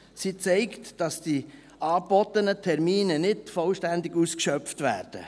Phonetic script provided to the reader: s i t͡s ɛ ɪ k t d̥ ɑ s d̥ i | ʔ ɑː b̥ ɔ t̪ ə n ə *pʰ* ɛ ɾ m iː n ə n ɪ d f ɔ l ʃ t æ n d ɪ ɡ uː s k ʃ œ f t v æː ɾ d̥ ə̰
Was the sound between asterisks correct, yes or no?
no